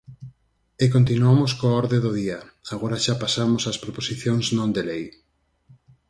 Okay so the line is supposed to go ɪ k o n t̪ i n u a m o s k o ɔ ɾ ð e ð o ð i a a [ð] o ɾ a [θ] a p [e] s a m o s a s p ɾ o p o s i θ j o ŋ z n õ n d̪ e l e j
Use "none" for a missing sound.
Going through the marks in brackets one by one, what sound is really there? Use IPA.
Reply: ɣ, ʃ, a

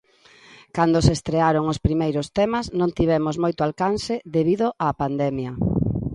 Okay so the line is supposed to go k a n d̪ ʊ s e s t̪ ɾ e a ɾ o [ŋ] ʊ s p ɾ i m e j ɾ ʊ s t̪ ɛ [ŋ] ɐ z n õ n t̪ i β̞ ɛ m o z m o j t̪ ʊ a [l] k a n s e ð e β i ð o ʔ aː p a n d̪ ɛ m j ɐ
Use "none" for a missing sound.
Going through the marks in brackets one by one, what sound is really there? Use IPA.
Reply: ŋ, m, l

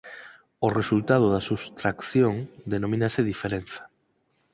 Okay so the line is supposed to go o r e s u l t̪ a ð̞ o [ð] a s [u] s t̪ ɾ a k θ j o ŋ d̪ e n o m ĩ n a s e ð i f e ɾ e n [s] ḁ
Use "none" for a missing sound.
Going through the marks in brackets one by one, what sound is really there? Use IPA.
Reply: ð, u, θ

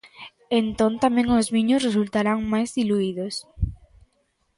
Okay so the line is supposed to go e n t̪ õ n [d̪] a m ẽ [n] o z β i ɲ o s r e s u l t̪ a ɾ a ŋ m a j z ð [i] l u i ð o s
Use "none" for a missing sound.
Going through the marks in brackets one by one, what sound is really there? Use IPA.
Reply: t̪, ŋ, i

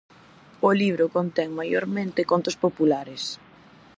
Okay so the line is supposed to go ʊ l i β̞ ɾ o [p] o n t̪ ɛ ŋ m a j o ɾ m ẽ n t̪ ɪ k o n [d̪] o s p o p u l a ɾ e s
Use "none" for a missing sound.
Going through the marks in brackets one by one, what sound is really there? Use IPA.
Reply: k, t̪

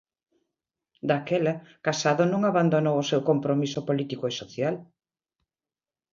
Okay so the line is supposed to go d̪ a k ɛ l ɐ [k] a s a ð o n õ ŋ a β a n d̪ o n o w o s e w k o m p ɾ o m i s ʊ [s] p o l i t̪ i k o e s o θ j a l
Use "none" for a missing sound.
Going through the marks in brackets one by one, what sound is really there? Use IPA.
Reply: k, none

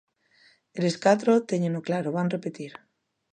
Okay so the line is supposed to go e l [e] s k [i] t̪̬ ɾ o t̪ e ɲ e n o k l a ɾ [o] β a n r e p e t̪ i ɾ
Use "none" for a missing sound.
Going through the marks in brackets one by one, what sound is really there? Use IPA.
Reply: e, a, o

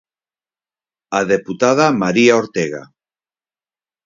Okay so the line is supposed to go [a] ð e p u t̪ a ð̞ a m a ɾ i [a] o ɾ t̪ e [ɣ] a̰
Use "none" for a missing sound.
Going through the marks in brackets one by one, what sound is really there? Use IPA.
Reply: a, a, ɣ

